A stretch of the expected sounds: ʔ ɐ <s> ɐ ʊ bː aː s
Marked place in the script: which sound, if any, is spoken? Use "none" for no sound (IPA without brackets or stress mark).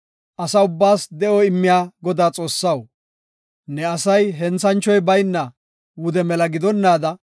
s